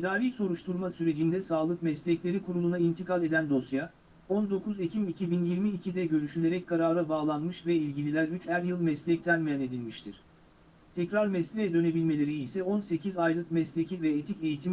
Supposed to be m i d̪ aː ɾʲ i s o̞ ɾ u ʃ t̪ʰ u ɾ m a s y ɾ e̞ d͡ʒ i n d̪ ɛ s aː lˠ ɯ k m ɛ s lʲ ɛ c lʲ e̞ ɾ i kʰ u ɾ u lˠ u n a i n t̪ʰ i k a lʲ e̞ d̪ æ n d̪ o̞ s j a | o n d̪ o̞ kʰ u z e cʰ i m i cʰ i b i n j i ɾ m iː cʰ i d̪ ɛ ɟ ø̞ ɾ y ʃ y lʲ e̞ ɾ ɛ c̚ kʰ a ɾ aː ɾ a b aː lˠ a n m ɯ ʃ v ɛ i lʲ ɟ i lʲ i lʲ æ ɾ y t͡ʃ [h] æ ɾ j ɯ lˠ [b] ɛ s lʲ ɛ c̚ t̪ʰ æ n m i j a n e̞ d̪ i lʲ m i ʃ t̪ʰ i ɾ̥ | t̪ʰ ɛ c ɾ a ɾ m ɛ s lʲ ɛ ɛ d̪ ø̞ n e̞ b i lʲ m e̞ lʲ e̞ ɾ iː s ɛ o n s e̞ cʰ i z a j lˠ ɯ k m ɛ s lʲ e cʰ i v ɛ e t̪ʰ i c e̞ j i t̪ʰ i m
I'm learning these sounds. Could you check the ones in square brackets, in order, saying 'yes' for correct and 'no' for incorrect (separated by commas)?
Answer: yes, no